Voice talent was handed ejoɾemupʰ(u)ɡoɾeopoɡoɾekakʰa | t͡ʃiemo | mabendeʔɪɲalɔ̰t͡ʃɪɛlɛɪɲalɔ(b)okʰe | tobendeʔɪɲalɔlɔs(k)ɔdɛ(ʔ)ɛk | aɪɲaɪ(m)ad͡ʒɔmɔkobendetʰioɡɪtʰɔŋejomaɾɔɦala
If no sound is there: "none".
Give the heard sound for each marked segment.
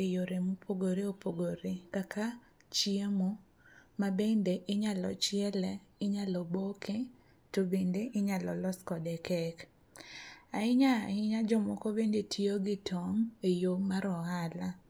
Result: o, b, k, k, ɲ

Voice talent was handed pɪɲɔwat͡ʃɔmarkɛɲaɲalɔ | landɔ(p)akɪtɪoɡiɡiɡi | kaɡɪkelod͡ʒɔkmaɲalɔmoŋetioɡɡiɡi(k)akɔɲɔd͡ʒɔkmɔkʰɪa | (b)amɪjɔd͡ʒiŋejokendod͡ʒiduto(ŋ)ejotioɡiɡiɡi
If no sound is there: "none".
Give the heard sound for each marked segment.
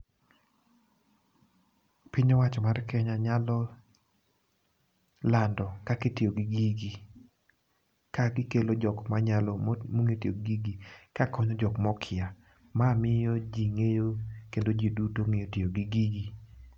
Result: k, k, m, ŋ

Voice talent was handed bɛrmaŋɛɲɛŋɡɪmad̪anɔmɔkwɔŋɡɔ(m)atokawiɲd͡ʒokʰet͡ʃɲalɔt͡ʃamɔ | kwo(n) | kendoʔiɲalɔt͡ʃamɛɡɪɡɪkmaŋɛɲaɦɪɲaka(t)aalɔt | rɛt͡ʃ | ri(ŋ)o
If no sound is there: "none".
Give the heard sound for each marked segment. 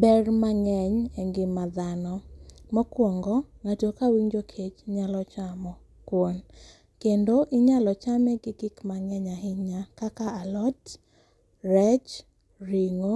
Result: ŋ, n, k, ŋ

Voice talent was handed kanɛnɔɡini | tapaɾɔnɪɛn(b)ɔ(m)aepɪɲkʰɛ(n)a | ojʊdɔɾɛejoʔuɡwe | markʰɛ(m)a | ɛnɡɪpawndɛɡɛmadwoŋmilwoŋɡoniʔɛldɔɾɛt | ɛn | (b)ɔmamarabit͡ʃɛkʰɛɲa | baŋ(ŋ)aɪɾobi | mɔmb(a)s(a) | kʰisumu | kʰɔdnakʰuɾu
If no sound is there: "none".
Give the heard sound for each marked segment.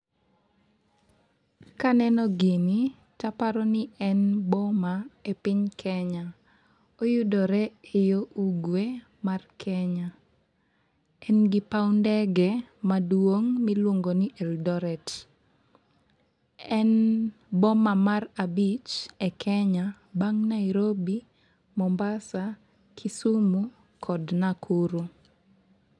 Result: b, m, ɲ, ɲ, b, n, a, a

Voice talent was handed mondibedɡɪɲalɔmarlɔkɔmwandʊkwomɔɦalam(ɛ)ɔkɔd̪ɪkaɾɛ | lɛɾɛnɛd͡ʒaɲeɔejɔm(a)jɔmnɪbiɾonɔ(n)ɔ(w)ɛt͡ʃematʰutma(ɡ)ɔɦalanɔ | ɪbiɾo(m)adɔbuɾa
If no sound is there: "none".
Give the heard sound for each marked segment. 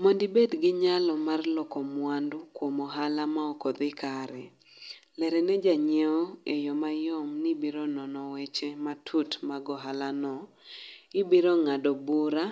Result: a, a, n, w, ɡ, ŋ

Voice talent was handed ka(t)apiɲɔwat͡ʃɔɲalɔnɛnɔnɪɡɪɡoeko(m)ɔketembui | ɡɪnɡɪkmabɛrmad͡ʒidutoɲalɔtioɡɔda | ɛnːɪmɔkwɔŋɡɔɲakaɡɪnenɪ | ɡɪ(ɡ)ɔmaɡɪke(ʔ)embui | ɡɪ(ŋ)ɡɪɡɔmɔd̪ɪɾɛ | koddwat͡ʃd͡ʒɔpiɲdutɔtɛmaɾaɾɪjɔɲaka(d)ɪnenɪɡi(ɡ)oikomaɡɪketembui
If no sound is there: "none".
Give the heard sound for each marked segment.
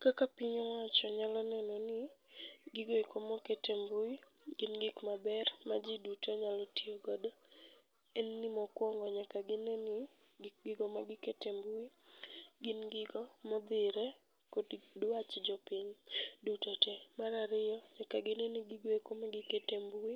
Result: k, m, ɡ, t, n, ɡ, ɡ

